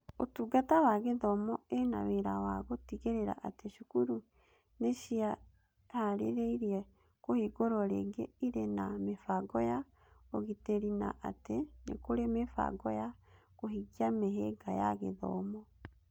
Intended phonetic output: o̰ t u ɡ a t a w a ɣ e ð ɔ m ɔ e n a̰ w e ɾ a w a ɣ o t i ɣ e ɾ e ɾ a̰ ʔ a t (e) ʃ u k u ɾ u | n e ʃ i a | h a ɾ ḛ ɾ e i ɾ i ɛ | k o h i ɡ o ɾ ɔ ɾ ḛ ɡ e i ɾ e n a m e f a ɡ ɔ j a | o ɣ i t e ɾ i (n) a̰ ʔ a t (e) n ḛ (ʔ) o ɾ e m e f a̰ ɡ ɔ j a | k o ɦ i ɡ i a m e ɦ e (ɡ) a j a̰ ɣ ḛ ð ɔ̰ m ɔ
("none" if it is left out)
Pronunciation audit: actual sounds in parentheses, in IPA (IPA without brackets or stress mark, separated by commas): e, n, e, k, ɡ